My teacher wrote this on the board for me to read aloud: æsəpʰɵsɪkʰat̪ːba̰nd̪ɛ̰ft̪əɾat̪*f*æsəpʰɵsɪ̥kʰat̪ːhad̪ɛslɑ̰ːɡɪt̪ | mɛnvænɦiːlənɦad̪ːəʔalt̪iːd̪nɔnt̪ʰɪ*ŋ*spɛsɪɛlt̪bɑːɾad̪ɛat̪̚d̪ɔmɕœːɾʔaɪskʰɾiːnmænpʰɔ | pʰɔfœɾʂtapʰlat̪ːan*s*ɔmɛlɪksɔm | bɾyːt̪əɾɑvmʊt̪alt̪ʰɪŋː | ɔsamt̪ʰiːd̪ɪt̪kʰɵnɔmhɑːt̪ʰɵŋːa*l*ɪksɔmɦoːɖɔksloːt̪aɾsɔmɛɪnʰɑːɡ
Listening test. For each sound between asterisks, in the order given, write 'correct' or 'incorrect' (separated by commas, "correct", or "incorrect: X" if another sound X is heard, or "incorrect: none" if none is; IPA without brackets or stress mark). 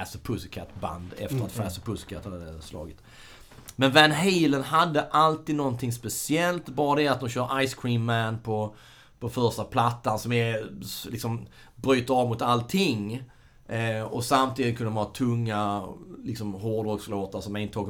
correct, correct, correct, correct